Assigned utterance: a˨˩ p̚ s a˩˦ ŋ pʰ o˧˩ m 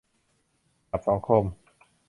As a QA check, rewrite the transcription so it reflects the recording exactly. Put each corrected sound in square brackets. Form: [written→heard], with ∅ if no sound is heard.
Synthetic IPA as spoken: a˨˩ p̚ s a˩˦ ŋ [pʰ→kʰ] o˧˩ m